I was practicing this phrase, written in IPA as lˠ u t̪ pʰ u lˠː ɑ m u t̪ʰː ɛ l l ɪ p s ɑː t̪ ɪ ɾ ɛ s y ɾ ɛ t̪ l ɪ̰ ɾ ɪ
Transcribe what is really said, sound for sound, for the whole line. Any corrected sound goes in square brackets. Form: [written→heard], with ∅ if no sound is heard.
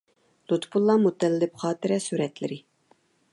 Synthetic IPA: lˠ u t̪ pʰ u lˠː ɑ m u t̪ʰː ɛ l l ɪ p [s→χ] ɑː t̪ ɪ ɾ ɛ s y ɾ ɛ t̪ l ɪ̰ ɾ ɪ